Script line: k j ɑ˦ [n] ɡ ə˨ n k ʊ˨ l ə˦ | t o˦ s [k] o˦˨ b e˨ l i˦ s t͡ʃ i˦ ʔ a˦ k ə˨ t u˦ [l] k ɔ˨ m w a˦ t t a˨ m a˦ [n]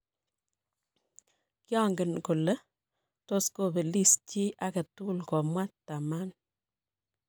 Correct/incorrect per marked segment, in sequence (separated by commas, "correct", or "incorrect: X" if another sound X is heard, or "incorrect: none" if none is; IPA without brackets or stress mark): incorrect: ŋ, correct, correct, correct